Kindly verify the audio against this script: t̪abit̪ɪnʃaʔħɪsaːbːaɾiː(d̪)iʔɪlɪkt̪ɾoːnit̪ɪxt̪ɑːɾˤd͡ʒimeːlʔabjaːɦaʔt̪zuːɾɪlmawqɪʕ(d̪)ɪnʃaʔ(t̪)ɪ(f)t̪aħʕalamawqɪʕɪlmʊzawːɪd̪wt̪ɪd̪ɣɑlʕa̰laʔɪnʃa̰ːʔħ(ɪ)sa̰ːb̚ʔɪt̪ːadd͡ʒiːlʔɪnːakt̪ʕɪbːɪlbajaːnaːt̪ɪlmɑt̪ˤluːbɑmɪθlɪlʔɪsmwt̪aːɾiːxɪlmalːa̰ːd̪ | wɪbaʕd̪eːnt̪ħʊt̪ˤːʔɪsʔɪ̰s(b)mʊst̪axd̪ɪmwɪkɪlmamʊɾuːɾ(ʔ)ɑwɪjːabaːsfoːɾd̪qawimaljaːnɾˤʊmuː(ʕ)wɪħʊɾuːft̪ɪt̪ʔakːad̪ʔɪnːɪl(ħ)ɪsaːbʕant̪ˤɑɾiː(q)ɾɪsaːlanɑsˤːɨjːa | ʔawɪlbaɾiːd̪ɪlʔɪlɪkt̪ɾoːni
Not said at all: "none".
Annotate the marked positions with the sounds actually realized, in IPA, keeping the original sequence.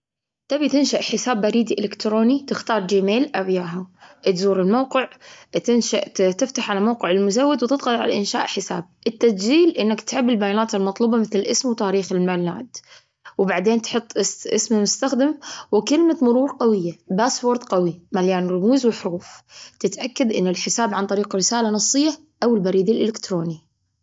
d̪, t̪, t̪, f, ɪ, m, q, z, ħ, q

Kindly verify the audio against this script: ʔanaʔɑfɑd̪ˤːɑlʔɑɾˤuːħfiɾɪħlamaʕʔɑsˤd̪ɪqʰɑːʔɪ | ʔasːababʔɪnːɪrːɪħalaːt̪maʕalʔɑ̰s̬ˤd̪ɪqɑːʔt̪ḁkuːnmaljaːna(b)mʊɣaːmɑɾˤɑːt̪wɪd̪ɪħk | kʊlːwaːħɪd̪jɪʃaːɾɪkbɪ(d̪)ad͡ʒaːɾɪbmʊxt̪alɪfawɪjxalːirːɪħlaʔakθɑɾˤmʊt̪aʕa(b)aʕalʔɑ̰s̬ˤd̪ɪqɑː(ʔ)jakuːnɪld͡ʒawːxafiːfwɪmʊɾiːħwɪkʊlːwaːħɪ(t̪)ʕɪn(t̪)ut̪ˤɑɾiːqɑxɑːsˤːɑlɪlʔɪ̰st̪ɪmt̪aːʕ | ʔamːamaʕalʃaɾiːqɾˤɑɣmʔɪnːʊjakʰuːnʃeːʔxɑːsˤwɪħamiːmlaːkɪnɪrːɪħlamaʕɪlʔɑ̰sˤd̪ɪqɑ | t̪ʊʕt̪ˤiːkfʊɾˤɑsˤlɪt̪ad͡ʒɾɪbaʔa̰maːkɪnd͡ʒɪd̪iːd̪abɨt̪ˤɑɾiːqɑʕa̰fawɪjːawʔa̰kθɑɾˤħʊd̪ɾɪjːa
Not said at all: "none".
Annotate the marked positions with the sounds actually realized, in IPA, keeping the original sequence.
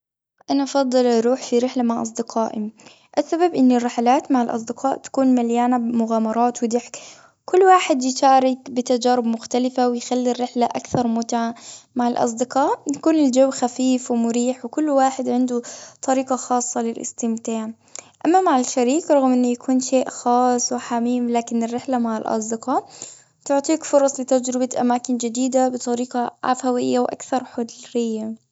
b, t̪, m, ʔ, d̪, d̪

